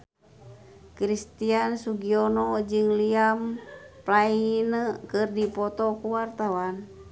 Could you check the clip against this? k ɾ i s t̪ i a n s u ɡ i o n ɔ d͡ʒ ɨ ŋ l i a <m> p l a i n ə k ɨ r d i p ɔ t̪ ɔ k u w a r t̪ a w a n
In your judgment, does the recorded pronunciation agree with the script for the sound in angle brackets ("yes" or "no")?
yes